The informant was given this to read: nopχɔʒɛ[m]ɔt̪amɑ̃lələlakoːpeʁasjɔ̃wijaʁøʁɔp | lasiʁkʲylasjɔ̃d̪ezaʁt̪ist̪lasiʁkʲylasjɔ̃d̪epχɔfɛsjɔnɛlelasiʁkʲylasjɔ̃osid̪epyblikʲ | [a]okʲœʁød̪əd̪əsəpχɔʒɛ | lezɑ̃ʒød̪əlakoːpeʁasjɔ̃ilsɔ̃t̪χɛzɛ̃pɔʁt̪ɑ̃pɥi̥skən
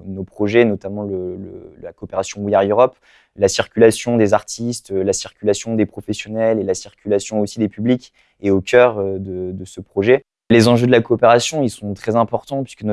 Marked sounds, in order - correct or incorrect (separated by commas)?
incorrect, incorrect